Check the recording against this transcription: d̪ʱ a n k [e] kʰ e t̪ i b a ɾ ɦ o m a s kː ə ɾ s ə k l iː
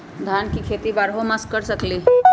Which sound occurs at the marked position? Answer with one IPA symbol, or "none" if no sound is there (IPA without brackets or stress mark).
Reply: i